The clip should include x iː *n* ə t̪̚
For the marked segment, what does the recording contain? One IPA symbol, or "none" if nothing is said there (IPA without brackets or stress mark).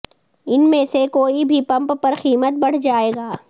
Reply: m